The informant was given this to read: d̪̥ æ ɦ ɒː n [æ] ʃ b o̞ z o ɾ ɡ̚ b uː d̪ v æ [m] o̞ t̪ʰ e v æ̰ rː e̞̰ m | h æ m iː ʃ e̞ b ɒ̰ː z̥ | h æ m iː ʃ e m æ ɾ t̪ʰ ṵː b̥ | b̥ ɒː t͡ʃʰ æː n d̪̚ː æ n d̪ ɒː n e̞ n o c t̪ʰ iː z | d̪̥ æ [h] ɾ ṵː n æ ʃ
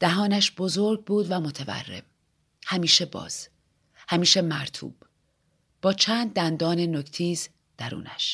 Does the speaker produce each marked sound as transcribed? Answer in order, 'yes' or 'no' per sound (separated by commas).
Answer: yes, yes, no